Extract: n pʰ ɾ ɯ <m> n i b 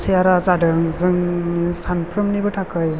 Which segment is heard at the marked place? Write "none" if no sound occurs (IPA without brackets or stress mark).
m